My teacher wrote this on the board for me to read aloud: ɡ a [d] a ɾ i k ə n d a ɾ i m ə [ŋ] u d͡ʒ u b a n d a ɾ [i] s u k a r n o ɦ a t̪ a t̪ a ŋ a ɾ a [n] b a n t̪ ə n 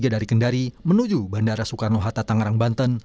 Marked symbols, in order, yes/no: yes, no, no, no

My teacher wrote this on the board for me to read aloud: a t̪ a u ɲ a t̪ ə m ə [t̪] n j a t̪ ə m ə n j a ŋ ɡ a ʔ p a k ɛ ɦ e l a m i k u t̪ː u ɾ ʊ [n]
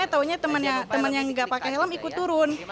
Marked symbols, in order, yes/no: no, yes

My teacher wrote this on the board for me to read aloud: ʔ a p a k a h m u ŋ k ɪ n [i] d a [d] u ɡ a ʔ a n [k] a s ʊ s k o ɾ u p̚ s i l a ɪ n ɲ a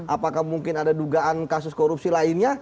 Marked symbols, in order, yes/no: no, yes, yes

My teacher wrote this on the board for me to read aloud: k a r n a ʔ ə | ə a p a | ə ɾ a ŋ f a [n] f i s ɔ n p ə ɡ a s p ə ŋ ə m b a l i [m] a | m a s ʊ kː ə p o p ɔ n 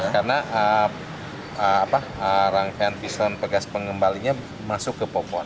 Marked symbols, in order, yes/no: yes, no

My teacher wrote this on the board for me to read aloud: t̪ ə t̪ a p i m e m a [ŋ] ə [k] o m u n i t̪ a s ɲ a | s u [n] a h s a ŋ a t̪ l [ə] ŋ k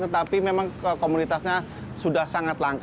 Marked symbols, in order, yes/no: yes, yes, no, no

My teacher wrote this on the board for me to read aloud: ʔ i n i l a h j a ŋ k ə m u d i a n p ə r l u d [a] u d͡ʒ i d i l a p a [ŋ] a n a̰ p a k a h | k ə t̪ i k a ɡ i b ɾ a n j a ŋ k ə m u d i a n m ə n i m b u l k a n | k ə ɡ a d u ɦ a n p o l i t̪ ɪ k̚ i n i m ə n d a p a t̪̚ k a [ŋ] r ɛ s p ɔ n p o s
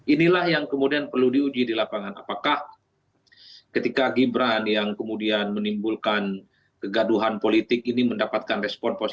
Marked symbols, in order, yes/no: no, yes, no

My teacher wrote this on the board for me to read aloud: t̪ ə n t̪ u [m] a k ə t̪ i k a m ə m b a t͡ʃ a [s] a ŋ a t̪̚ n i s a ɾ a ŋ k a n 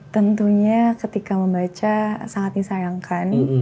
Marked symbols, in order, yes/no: no, yes

